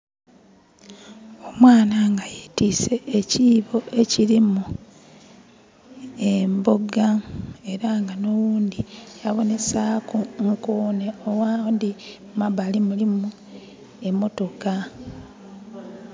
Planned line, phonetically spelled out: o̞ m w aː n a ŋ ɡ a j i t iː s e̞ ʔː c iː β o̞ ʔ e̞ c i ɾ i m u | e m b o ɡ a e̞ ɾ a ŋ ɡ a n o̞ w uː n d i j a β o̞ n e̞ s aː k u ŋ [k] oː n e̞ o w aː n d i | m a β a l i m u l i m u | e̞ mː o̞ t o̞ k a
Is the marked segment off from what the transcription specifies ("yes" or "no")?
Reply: no